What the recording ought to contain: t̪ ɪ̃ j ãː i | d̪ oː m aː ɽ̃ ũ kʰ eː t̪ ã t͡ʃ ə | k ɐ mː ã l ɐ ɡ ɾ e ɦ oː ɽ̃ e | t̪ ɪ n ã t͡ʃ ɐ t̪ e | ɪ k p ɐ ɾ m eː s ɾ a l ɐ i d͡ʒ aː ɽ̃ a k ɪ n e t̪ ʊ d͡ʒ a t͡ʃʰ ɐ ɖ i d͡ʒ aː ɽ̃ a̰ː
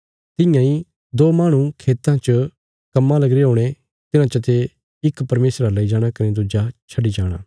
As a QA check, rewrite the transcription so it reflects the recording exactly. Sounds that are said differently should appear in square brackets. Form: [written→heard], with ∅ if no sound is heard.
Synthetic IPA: t̪ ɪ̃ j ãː i | d̪ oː m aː ɽ̃ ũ kʰ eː t̪ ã t͡ʃ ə | k ɐ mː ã l ɐ ɡ ɾ e ɦ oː ɽ̃ e | t̪ ɪ n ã t͡ʃ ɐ t̪ e | ɪ k p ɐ ɾ m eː s ɾ a l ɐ i d͡ʒ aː ɽ̃ a k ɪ n e [t̪→d̪] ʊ d͡ʒ a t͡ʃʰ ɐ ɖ i d͡ʒ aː ɽ̃ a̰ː